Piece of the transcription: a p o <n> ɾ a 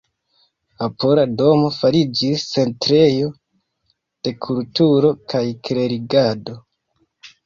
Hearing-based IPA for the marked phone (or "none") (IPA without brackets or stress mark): none